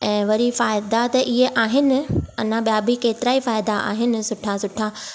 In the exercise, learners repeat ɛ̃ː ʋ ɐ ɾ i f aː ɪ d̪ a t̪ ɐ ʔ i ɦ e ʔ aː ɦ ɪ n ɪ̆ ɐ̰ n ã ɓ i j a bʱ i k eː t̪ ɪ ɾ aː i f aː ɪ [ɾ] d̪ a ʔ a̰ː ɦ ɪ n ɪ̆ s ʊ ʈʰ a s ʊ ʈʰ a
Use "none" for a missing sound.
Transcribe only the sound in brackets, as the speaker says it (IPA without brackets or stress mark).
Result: none